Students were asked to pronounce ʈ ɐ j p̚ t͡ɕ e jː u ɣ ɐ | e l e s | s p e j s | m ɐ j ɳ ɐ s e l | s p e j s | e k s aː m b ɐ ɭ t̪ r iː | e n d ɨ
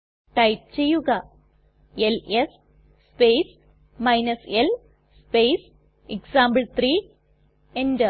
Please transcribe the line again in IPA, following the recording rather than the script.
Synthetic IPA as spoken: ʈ ɐ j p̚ t͡ɕ e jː u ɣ ɐ | e l e s | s p e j s | m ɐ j n ɐ s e l | s p e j s | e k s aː m b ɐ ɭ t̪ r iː | e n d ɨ

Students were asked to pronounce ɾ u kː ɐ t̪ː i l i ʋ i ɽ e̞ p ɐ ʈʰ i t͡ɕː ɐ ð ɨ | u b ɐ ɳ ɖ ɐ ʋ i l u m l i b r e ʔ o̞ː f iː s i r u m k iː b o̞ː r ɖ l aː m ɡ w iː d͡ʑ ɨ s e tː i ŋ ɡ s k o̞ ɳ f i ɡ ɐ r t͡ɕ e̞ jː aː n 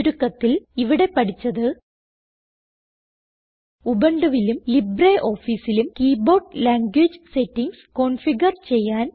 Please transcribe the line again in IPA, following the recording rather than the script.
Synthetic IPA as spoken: ɾ u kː ɐ t̪ː i l i ʋ i ɽ e̞ p ɐ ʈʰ i t͡ɕː ɐ ð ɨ | u b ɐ ɳ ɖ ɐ ʋ i l u m l i b r e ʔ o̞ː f iː s i l u m k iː b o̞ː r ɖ l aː ŋ ɡ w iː d͡ʑ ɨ s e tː i ŋ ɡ s k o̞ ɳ f i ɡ ɐ r t͡ɕ e̞ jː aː n

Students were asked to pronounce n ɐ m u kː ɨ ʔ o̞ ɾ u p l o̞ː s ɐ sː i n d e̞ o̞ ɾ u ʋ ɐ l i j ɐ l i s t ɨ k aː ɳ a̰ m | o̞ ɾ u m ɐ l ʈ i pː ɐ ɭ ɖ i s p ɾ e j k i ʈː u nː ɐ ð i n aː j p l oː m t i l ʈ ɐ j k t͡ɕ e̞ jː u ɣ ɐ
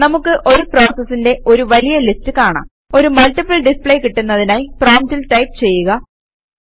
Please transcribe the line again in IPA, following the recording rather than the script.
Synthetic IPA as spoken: n ɐ m u kː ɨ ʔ o̞ ɾ u p r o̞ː s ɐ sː i n d e̞ o̞ ɾ u ʋ ɐ l i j ɐ l i s t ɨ k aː ɳ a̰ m | o̞ ɾ u m ɐ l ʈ i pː ɐ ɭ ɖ i s p ɭ e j k i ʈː u nː ɐ ð i n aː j p r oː m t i l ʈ ɐ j p t͡ɕ e̞ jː u ɣ ɐ

